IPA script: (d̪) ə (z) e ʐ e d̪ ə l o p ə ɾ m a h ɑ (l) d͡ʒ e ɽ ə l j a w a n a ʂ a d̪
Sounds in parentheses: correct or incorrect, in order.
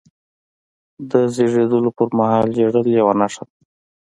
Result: correct, correct, correct

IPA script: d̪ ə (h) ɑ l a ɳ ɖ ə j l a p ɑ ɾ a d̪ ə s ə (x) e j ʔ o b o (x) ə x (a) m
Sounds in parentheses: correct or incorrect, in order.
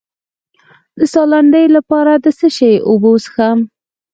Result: incorrect, incorrect, incorrect, correct

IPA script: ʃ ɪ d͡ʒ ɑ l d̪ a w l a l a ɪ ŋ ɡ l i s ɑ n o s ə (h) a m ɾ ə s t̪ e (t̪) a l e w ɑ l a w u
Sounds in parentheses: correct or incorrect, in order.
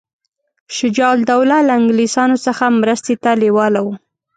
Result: incorrect, correct

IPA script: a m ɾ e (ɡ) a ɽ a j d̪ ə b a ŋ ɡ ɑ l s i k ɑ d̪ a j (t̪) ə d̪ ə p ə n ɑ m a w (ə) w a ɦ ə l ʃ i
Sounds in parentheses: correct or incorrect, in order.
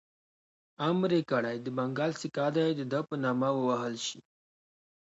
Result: incorrect, incorrect, correct

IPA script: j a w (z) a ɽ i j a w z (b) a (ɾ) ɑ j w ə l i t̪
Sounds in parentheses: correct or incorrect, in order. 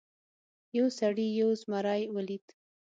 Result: incorrect, incorrect, correct

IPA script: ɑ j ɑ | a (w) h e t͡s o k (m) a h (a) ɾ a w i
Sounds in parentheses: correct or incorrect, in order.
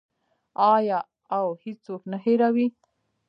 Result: correct, incorrect, incorrect

